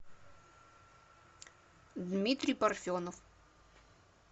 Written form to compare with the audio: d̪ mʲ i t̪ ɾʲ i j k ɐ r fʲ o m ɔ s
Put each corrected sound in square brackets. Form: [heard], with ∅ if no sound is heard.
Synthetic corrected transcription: d̪ mʲ i t̪ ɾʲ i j [p] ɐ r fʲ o [n] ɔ [f]